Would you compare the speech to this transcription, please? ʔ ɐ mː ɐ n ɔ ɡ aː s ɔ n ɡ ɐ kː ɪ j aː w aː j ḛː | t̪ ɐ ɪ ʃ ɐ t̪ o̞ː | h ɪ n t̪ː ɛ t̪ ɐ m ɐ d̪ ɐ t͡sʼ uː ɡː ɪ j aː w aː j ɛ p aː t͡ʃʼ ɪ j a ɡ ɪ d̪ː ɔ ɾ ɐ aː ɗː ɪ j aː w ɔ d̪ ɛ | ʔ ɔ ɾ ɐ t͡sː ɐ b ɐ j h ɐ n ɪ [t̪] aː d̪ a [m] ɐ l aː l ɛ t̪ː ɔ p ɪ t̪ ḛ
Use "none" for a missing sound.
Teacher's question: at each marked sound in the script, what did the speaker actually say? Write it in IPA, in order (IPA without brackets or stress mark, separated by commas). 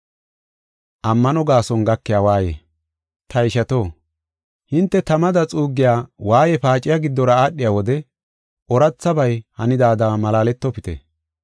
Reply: d̪, m